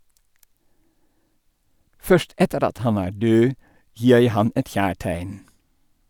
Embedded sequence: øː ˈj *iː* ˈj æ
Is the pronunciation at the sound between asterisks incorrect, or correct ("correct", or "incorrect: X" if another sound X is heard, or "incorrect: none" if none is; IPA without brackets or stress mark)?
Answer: correct